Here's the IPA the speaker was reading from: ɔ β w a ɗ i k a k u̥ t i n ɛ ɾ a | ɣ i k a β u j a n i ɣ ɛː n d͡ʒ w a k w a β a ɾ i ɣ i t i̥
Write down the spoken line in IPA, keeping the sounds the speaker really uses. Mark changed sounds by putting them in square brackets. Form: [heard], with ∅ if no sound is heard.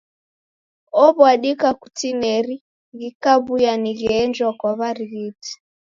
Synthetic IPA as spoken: ɔ β w a ɗ i k a k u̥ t i n ɛ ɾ [i] | ɣ i k a β u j a n i ɣ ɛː n d͡ʒ w a k w a β a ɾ i ɣ i t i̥